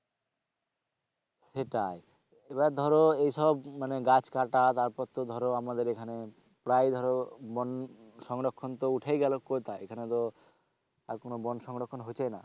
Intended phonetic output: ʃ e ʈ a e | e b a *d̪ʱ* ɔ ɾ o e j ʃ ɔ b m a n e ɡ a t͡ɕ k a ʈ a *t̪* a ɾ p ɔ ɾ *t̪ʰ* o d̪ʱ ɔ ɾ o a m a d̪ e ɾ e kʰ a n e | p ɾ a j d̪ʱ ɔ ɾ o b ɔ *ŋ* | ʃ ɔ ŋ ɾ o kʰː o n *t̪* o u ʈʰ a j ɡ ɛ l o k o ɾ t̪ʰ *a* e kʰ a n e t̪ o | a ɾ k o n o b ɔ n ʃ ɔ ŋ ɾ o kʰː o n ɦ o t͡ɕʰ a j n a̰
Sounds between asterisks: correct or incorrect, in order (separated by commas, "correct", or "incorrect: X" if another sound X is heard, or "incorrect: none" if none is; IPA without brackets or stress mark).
correct, correct, incorrect: t̪, incorrect: n, correct, correct